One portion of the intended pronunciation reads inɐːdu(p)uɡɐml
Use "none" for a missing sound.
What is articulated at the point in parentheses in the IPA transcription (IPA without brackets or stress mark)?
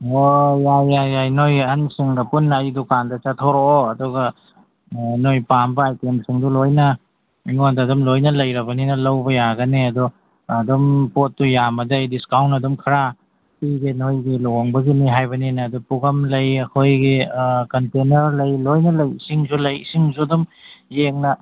p